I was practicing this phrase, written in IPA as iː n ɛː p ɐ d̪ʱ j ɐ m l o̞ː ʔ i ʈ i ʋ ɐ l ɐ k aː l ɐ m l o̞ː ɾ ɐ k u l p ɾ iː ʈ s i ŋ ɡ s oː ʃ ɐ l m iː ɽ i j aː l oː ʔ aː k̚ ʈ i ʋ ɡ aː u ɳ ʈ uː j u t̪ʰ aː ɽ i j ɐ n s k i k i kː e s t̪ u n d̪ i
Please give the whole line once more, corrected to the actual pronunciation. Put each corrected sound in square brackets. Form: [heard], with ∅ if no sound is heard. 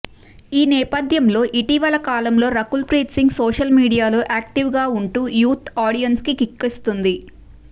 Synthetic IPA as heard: iː n ɛː p ɐ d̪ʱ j ɐ m l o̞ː ʔ i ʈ i ʋ ɐ l ɐ k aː l ɐ m l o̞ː ɾ ɐ k u l p ɾ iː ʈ s i ŋ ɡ s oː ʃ ɐ l m iː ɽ i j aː l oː ʔ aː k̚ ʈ i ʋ ɡ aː u ɳ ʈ uː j [uː] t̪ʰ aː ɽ i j ɐ n s k i k i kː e s t̪ u n d̪ i

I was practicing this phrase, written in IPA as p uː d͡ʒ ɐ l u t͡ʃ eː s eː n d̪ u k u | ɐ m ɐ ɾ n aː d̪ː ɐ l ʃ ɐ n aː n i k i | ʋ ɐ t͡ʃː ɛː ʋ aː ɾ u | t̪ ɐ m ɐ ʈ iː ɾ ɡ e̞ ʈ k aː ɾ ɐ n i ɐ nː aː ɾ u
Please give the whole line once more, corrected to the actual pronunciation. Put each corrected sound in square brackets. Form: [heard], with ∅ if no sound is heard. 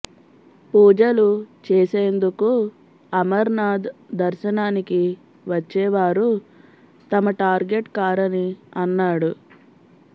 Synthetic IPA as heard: p uː d͡ʒ ɐ l u t͡ʃ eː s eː n d̪ u k u | ɐ m ɐ ɾ n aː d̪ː ɐ [ɾ] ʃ ɐ n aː n i k i | ʋ ɐ t͡ʃː ɛː ʋ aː ɾ u | t̪ ɐ m ɐ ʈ [aː] ɾ ɡ e̞ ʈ k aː ɾ ɐ n i ɐ nː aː [ɽ] u

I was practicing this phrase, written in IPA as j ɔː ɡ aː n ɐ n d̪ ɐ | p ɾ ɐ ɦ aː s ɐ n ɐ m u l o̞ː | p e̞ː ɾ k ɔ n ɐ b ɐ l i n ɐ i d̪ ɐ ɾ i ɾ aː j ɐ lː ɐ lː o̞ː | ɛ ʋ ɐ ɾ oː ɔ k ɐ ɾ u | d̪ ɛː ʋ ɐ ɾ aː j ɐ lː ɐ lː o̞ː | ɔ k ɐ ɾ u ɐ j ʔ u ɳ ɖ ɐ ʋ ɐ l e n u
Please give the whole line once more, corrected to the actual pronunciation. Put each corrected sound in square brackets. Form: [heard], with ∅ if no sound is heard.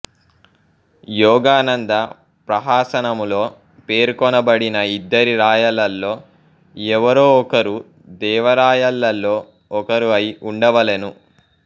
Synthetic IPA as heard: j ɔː ɡ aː n ɐ n d̪ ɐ | p ɾ ɐ ɦ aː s ɐ n ɐ m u l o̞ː | p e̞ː ɾ k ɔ n ɐ b ɐ [ɽ] i n ɐ i [d̪ː] ɐ ɾ i ɾ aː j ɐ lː ɐ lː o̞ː | ɛ ʋ ɐ ɾ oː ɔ k ɐ ɾ u | d̪ ɛː ʋ ɐ ɾ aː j ɐ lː ɐ lː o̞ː | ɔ k ɐ ɾ u ɐ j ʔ u ɳ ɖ ɐ ʋ ɐ l e n u

